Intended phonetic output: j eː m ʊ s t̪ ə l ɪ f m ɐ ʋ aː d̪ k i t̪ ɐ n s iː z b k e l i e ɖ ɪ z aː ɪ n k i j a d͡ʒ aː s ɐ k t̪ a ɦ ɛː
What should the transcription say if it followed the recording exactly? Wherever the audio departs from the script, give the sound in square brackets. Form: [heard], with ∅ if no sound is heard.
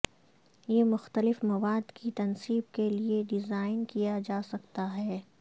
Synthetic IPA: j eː m ʊ [x] t̪ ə l ɪ f m ɐ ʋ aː d̪ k i t̪ ɐ n s iː [∅] b k e l i e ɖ ɪ z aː ɪ n k i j a d͡ʒ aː s ɐ k t̪ a ɦ ɛː

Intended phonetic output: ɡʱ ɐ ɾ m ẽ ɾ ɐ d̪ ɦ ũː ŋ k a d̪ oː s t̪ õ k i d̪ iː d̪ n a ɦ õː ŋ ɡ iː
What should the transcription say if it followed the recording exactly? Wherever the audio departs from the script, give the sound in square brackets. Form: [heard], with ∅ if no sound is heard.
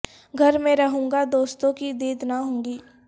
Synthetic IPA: ɡʱ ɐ ɾ m ẽ ɾ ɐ [∅] ɦ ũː ŋ [ɡ] a d̪ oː s t̪ õ k i d̪ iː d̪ n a ɦ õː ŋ ɡ iː

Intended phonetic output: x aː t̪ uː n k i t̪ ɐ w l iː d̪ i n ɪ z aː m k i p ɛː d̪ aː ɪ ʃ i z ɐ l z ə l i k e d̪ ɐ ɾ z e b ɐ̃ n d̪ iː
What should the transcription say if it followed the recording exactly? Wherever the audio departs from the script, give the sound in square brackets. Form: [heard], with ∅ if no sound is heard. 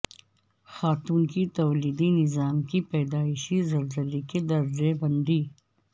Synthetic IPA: x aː t̪ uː n k i t̪ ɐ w l iː d̪ i n ɪ z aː m k i p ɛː d̪ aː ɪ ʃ i z ɐ l z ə l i k e d̪ ɐ ɾ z e b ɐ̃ n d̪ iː

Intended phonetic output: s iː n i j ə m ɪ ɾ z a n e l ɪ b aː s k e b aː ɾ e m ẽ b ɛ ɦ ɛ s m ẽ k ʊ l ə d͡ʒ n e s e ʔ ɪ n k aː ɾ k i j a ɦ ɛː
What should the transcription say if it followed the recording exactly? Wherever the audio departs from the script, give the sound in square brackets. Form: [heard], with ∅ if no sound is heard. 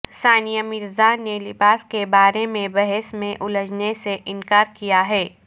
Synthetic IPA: s [aː] n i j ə m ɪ ɾ z a n e l ɪ b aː s k e b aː ɾ e m ẽ b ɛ ɦ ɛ s m ẽ [ʔ] ʊ l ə d͡ʒ n e s e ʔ ɪ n k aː ɾ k i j a ɦ ɛː

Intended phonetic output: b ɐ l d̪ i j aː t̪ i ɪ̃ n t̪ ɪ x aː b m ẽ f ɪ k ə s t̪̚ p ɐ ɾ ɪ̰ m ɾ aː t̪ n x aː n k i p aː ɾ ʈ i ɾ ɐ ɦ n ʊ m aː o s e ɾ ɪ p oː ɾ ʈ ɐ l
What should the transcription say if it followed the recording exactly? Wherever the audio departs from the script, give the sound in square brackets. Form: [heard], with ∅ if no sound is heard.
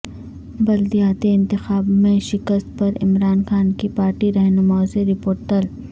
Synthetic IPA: b ɐ l d̪ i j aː t̪ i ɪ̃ n t̪ ɪ x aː b m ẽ [ʃ] ɪ k ə s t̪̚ p ɐ ɾ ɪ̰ m ɾ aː [∅] n x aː n k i p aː ɾ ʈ i ɾ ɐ ɦ n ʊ m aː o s e ɾ ɪ p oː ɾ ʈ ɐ l

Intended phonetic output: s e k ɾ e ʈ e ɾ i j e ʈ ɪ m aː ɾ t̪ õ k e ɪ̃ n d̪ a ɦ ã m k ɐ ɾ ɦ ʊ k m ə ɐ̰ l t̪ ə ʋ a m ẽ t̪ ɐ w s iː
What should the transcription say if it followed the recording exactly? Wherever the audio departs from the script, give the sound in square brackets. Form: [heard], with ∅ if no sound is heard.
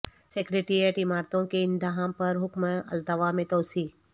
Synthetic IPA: s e k ɾ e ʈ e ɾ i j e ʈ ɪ m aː ɾ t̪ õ k e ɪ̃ n d̪ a ɦ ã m [p] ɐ ɾ ɦ ʊ k m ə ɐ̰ l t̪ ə ʋ a m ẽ t̪ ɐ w s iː

